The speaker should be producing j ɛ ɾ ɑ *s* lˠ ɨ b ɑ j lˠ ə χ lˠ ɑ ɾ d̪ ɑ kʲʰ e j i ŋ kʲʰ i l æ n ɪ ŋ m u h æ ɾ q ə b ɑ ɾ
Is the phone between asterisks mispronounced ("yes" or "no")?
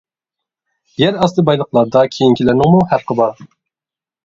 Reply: no